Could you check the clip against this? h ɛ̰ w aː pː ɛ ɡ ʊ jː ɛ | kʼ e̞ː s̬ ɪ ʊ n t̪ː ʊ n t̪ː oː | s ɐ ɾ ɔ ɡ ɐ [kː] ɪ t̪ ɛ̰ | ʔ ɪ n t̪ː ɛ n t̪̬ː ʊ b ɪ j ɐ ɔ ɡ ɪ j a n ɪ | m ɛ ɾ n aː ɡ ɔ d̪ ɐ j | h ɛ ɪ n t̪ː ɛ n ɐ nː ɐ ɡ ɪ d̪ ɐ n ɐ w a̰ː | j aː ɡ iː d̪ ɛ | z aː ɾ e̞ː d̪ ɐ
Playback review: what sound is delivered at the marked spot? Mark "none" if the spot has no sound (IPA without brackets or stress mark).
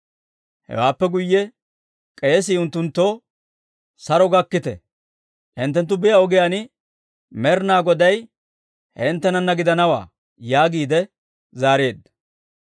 kː